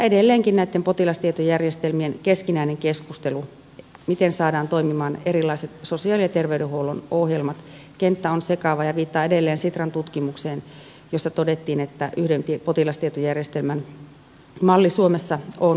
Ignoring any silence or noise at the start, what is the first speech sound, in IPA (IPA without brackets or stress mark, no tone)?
e